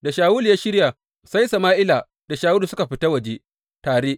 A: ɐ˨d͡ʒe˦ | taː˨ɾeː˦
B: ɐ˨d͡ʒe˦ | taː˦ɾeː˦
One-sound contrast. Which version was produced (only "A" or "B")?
A